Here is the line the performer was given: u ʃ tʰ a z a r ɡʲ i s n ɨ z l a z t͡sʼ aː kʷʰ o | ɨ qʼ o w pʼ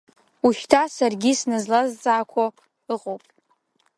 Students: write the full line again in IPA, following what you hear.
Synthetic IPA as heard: u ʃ tʰ a s a r ɡʲ i s n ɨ z l a z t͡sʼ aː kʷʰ o | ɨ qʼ o w pʼ